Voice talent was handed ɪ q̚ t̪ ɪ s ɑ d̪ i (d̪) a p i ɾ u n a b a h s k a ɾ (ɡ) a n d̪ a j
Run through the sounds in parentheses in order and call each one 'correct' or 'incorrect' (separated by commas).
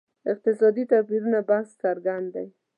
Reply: incorrect, correct